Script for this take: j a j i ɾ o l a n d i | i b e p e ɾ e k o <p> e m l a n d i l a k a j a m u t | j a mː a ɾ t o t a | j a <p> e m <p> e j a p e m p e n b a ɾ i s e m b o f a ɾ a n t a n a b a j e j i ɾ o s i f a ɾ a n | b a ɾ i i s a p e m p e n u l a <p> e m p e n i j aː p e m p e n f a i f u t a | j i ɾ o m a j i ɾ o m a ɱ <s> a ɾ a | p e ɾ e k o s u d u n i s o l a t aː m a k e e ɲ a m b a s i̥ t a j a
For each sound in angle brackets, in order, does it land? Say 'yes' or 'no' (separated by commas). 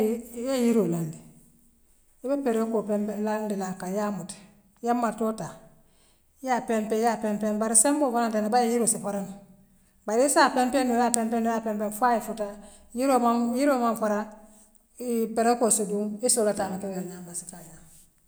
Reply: yes, yes, yes, yes, no